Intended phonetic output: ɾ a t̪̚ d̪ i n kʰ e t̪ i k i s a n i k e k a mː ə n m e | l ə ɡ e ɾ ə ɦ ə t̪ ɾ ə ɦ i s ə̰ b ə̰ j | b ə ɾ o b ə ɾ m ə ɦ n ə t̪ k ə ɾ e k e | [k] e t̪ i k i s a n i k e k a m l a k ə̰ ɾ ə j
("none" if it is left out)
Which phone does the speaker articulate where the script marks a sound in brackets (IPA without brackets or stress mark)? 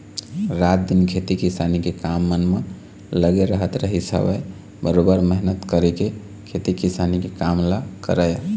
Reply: kʰ